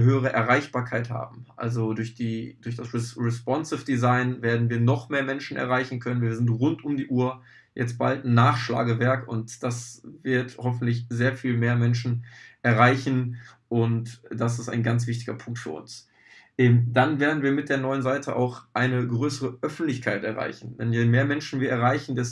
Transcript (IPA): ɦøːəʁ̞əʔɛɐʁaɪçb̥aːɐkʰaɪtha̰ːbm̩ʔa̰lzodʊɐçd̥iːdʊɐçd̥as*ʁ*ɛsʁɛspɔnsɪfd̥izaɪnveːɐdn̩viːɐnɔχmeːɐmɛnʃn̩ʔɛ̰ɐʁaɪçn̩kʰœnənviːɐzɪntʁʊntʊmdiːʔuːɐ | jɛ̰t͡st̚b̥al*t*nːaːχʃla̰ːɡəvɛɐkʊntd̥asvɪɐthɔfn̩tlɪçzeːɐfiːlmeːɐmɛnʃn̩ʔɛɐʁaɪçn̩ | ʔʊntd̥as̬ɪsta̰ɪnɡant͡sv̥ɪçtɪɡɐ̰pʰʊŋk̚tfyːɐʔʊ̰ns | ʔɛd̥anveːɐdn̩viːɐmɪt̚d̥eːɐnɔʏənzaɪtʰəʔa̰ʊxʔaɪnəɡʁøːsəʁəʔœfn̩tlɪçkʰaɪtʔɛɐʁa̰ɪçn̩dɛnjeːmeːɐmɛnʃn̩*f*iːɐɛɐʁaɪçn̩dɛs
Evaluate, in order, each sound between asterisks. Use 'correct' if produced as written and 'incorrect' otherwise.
correct, correct, incorrect: v

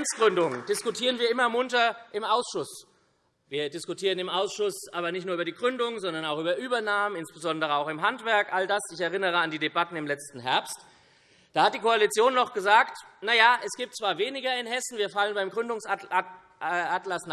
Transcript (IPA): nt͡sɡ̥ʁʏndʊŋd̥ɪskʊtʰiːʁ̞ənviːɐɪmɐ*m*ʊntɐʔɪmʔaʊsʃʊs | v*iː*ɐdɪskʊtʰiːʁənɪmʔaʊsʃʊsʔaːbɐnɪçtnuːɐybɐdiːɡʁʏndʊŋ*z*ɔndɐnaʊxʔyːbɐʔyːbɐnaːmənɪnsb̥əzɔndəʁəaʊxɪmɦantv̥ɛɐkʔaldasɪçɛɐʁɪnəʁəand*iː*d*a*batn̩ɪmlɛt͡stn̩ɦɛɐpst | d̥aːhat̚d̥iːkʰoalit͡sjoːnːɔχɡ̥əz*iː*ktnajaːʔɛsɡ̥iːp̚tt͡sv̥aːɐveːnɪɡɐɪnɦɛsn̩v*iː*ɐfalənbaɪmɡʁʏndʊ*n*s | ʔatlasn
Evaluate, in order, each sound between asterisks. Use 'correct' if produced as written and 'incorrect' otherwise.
correct, correct, correct, correct, incorrect: e, incorrect: aː, correct, incorrect: ŋ

